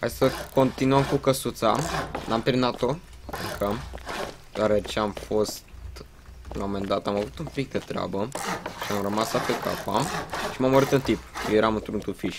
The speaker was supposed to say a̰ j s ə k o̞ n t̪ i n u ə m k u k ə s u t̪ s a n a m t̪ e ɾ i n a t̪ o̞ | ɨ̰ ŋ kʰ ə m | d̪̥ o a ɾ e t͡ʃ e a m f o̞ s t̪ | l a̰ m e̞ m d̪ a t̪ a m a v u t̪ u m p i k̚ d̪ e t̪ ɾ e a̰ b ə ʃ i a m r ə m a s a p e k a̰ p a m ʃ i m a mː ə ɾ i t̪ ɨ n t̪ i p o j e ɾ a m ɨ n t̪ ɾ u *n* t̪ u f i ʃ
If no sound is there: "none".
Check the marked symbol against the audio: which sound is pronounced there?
n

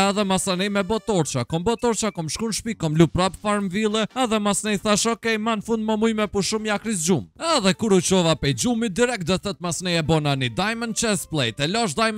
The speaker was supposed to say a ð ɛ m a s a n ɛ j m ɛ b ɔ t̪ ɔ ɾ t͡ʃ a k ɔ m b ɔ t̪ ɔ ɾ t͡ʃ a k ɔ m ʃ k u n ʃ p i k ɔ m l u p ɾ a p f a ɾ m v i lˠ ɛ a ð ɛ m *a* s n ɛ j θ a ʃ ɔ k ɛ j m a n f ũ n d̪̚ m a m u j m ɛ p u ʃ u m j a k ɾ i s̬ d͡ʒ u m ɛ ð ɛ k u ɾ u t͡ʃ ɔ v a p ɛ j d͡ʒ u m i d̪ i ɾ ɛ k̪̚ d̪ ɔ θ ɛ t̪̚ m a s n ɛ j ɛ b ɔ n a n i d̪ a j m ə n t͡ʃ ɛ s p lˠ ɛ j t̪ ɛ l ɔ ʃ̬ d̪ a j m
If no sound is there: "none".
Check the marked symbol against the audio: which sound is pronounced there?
a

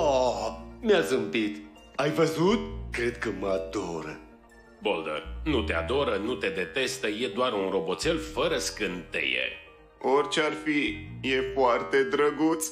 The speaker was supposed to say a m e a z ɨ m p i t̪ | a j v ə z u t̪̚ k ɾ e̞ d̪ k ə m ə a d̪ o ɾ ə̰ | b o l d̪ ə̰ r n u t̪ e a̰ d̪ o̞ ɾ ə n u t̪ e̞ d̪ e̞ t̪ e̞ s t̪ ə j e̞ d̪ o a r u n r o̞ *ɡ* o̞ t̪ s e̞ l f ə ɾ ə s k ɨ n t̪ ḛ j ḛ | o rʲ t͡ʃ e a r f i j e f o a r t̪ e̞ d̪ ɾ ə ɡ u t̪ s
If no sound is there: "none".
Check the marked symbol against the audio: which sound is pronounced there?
b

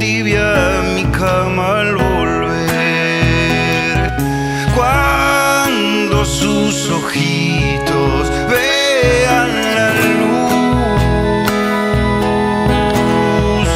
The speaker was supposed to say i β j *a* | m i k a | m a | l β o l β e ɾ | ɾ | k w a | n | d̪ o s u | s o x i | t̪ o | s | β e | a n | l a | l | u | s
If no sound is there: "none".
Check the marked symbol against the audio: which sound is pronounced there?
a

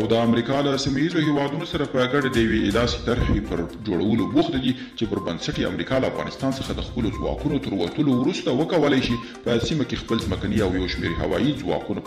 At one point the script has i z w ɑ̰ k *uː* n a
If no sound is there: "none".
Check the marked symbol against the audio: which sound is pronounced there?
u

